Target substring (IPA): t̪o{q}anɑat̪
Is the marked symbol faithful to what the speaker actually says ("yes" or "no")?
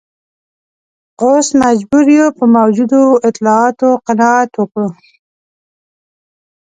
yes